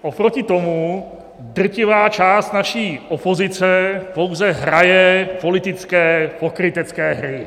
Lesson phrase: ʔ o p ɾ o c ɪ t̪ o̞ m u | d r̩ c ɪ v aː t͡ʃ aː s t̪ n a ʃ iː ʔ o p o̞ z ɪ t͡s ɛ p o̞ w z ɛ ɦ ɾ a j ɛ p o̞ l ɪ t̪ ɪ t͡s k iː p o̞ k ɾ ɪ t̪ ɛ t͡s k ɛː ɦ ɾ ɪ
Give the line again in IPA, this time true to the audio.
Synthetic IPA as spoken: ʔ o p ɾ o c ɪ t̪ o̞ m u | d r̩ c ɪ v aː t͡ʃ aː s t̪ n a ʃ iː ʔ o p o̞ z ɪ t͡s ɛ p o̞ w z ɛ ɦ ɾ a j ɛ p o̞ l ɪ t̪ ɪ t͡s k ɛː p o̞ k ɾ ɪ t̪ ɛ t͡s k ɛː ɦ ɾ ɪ